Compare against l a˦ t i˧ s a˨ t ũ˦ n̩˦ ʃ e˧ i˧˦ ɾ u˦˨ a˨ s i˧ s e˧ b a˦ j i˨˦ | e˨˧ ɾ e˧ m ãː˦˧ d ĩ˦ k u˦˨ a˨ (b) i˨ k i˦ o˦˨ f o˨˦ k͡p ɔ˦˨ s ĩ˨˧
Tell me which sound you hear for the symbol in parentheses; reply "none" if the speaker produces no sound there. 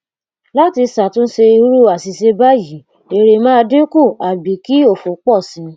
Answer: b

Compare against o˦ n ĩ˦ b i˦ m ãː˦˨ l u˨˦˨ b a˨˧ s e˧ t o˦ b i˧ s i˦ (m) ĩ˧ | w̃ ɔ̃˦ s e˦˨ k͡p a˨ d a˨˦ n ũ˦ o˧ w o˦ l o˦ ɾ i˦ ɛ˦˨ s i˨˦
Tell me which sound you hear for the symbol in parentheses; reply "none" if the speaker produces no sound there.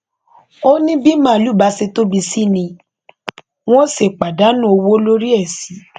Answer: n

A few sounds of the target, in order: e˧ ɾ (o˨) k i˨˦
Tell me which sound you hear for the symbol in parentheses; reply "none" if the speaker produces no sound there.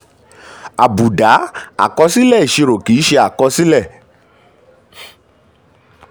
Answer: o˨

